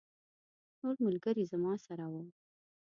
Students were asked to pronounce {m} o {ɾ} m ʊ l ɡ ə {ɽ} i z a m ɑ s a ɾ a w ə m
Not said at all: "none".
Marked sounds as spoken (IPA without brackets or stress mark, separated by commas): n, ɾ, ɾ